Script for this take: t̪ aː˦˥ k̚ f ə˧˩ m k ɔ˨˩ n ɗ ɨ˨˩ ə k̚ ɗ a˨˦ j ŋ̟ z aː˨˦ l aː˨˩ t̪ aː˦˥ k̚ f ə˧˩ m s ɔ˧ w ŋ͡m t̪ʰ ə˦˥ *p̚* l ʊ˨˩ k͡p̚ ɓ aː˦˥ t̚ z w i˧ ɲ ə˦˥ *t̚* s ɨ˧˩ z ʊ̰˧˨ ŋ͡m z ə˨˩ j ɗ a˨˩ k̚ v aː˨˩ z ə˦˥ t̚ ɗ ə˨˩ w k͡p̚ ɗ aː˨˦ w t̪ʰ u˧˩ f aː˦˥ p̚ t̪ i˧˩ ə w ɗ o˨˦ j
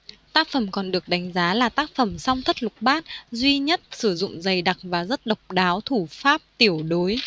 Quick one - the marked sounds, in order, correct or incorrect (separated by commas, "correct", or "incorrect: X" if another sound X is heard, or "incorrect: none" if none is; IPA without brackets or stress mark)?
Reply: incorrect: t̚, correct